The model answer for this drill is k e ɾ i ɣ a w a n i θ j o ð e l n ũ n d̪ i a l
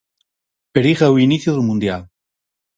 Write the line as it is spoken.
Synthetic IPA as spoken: p e ɾ i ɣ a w i n i θ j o ð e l m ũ n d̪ j a l